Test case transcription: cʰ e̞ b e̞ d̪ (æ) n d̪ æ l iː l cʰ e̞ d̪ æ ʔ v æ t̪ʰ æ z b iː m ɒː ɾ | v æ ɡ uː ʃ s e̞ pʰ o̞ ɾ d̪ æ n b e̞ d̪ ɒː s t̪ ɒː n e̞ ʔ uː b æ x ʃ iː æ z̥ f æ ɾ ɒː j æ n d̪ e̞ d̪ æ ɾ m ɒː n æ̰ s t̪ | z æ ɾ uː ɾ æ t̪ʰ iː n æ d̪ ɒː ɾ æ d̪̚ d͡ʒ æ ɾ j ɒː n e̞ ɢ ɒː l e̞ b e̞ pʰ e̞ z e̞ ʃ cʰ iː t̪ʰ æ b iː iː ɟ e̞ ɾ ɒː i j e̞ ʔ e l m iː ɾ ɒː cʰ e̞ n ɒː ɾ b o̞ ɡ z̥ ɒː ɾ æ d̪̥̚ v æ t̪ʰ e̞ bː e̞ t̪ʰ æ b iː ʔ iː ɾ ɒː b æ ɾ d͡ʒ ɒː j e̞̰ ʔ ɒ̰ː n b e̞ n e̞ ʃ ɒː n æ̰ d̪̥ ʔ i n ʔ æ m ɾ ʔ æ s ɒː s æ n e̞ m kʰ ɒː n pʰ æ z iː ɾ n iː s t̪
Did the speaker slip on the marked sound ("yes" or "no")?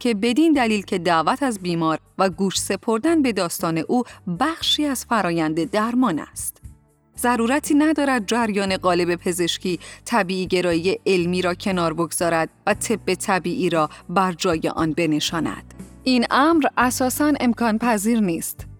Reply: yes